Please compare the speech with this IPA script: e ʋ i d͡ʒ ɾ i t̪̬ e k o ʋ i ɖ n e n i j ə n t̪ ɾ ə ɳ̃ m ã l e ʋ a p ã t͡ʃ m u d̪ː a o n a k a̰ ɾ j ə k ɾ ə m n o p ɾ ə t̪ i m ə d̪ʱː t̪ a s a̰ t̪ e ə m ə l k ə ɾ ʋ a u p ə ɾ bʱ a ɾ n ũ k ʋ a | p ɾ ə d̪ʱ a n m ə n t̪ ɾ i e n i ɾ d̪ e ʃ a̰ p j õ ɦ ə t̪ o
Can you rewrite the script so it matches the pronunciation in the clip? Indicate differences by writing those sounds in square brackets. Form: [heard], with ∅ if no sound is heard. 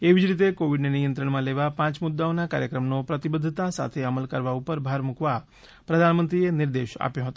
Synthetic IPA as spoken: e ʋ i d͡ʒ ɾ i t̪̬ e k o ʋ i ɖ n e n i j ə n t̪ ɾ ə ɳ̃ m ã l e ʋ a p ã t͡ʃ m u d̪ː a o n a k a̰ ɾ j ə k ɾ ə m n o p ɾ ə t̪ i [b] ə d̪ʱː t̪ a s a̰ [t̪ʰ] e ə m ə l k ə ɾ ʋ a u p ə ɾ bʱ a ɾ [m] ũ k ʋ a | p ɾ ə d̪ʱ a n m ə n t̪ ɾ i e n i ɾ d̪ e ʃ a̰ p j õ ɦ ə t̪ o